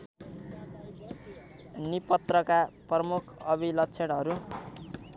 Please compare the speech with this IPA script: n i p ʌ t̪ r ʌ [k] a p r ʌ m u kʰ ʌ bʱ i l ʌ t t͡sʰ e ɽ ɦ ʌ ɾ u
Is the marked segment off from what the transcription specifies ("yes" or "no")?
no